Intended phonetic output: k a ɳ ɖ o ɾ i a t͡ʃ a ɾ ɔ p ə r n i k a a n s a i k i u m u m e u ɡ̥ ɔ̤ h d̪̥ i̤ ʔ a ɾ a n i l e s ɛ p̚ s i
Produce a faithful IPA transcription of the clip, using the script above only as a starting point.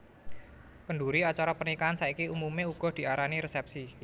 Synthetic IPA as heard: k ə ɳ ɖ u ɾ i a t͡ʃ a ɾ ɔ p ə r n i k a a n s a i k i u m u m e u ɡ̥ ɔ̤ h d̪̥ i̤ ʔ a ɾ a n i ɾ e s ɛ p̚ s i